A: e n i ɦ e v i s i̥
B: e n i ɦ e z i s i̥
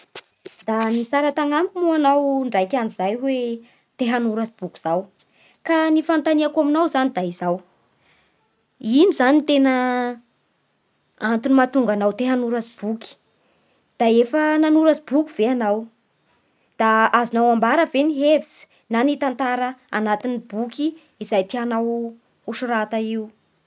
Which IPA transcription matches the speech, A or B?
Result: A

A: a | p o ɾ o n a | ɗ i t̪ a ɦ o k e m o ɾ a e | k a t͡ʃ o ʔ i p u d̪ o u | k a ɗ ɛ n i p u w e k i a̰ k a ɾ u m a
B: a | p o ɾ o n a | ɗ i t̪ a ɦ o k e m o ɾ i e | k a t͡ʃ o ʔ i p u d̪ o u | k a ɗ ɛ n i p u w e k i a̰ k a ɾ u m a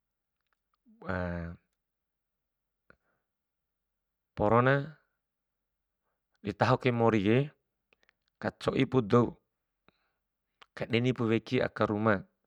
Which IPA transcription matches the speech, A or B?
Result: B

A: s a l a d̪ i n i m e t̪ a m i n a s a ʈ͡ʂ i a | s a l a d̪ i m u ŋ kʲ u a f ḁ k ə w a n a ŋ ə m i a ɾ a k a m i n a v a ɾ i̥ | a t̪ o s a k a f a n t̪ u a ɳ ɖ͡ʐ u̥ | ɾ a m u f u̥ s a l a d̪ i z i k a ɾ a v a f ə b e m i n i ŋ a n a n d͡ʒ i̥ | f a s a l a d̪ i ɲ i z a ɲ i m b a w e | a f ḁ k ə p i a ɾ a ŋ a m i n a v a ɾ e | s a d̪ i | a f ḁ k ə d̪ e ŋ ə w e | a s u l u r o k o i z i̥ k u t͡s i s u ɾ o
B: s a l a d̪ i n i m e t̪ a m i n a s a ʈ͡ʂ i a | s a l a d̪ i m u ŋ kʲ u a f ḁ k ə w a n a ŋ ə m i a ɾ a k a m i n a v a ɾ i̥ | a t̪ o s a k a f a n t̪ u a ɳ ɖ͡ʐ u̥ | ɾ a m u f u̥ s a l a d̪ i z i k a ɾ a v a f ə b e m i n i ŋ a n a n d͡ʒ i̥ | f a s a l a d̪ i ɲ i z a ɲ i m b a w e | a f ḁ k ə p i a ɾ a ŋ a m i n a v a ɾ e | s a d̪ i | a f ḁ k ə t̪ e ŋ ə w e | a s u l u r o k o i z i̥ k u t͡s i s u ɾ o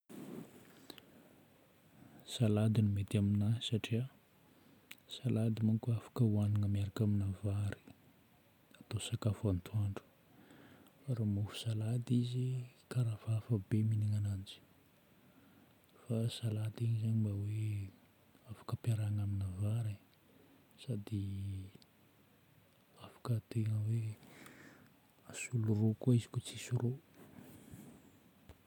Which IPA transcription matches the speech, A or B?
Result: B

